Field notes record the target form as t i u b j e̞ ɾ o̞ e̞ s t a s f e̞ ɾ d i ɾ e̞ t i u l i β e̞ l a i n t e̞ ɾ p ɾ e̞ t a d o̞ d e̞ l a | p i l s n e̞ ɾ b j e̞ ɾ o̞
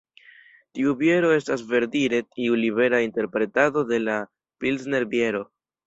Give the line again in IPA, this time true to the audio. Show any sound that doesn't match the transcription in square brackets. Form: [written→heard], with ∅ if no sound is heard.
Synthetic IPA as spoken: t i u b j e̞ ɾ o̞ e̞ s t a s [f→v] e̞ ɾ d i ɾ e̞ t i u l i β e̞ [l→ɾ] a i n t e̞ ɾ p ɾ e̞ t a d o̞ d e̞ l a | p i l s n e̞ ɾ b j e̞ ɾ o̞

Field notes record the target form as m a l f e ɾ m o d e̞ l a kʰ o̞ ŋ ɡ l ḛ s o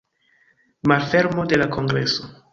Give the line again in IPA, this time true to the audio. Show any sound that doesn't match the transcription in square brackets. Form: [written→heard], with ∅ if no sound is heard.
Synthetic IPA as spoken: m a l f e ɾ m o d e̞ l a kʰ o̞ ŋ ɡ [l→ɾ] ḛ s o

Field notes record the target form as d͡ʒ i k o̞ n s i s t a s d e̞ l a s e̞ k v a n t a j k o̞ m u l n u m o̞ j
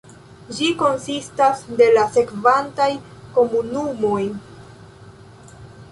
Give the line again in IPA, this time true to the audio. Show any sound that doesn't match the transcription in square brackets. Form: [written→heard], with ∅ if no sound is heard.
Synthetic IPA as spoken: d͡ʒ i k o̞ n s i s t a s d e̞ l a s e̞ k v a n t a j k o̞ m u [l→∅] n u m o̞ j

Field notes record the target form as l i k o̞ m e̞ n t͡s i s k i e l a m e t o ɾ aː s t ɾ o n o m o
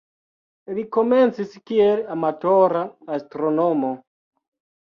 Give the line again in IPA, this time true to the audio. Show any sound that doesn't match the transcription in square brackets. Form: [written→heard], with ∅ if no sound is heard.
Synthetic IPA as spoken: l i k o̞ m e̞ n t͡s i s k i e l a m [e→a] t o ɾ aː s t ɾ o n o m o

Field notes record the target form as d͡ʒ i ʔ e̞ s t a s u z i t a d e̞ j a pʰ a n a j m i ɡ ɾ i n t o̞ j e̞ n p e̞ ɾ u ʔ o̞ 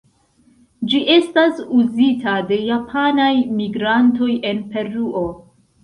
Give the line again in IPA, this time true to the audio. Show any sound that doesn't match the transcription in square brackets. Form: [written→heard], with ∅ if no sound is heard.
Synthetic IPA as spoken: d͡ʒ i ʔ e̞ s t a s u z i t a d e̞ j a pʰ a n a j m i ɡ ɾ [i→a] n t o̞ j e̞ n p e̞ ɾ u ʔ o̞

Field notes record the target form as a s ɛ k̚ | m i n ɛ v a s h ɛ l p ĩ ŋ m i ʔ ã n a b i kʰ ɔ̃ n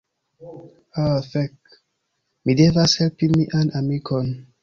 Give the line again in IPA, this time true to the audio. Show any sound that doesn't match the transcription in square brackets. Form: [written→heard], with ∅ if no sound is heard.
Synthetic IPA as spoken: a [s→f] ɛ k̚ | m i [n→d] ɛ v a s h ɛ l p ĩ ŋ m i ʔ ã n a [b→m] i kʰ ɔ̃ n

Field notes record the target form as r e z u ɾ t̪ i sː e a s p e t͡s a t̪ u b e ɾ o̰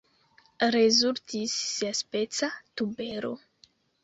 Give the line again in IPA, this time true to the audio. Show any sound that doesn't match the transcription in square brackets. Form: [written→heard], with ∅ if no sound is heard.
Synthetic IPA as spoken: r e z u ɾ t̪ i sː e a s p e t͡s a t̪ u b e ɾ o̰

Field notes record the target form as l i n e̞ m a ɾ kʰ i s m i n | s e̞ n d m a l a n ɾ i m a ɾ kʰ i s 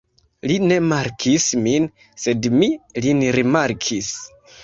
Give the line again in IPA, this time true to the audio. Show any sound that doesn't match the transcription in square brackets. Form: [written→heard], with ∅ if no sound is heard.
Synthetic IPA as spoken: l i n e̞ m a ɾ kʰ i s m i n | s e̞ [n→∅] d m [a→i] l [a→i] n ɾ i m a ɾ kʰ i s

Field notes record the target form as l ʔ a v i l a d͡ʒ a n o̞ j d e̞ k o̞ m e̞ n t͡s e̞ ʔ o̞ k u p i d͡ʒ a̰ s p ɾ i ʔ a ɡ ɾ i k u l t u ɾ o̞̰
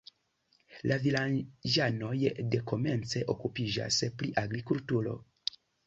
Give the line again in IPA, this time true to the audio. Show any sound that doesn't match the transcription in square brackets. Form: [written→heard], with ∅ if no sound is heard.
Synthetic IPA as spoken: l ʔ a v i l a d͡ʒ a n o̞ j d e̞ k o̞ m e̞ n t͡s e̞ ʔ o̞ k u p i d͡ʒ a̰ s p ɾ i ʔ a ɡ ɾ i k u l t u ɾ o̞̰

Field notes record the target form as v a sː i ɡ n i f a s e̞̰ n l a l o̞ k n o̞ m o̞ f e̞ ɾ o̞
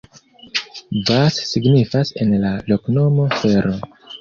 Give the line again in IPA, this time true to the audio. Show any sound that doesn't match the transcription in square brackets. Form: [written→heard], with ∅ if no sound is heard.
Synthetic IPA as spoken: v a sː i ɡ n i f a s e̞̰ n l a l o̞ k n o̞ m o̞ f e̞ ɾ o̞

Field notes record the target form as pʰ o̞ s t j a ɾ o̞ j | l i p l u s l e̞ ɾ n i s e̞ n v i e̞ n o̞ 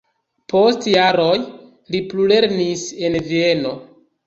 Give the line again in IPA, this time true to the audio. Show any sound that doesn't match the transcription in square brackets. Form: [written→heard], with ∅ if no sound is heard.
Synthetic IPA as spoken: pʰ o̞ s t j a ɾ o̞ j | l i p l u [s→∅] l e̞ ɾ n i s e̞ n v i e̞ n o̞

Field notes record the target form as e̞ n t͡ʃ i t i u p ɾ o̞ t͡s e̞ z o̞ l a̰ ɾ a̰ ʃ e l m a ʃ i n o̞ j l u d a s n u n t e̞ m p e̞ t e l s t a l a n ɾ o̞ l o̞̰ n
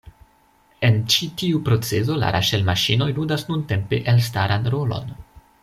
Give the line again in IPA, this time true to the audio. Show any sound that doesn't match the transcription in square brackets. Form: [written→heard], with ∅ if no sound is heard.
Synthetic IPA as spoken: e̞ n t͡ʃ i t i u p ɾ o̞ t͡s e̞ z o̞ l a̰ ɾ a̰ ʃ e l m a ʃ i n o̞ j l u d a s n u n t e̞ m p e̞ [t→ʔ] e l s t a [l→ɾ] a n ɾ o̞ l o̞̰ n

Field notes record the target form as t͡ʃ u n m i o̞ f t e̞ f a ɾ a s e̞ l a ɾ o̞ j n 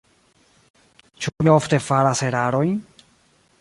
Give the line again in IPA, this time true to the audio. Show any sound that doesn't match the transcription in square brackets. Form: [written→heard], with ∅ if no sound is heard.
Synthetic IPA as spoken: t͡ʃ u [n→∅] m i o̞ f t e̞ f a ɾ a s e̞ [l→ɾ] a ɾ o̞ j n

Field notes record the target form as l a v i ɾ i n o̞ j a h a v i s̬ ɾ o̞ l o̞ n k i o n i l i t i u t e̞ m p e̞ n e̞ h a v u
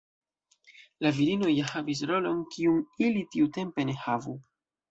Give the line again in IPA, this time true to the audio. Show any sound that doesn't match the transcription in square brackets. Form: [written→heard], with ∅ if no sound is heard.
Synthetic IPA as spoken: l a v i ɾ i n o̞ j a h a v i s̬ ɾ o̞ l o̞ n k i [o→u] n i l i t i u t e̞ m p e̞ n e̞ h a v u

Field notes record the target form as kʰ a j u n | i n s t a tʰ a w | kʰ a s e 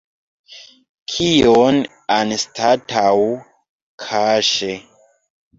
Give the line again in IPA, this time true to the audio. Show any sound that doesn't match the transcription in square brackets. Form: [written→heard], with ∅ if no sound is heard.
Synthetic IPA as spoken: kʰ [a→i] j [u→o] n | [i→a] n s t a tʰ a w | kʰ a [s→ʃ] e

